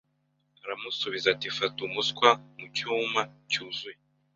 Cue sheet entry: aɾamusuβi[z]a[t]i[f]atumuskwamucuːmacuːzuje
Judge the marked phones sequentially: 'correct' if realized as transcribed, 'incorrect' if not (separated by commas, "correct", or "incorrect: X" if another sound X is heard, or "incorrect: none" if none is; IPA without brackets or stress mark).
correct, correct, correct